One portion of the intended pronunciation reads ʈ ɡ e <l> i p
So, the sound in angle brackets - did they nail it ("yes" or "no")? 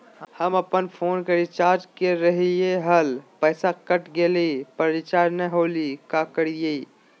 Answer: yes